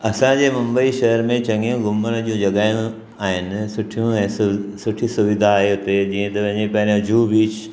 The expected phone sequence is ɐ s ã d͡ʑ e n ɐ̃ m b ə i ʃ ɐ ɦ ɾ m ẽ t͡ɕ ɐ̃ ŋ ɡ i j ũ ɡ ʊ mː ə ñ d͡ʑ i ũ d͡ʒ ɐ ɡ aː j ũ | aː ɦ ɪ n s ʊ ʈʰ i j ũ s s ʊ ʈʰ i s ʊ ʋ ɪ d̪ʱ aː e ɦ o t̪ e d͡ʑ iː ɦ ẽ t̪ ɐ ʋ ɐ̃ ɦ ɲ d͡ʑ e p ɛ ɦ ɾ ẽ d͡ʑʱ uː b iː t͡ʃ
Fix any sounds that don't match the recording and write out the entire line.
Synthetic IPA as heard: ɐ s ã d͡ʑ e m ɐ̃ m b ə i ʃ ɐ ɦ ɾ m ẽ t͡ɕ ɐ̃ ŋ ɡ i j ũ ɡ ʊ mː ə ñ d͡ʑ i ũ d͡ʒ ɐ ɡ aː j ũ | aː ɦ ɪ n s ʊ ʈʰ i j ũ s s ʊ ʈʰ i s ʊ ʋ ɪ d̪ʱ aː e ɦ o t̪ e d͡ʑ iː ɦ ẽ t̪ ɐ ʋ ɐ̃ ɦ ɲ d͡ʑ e p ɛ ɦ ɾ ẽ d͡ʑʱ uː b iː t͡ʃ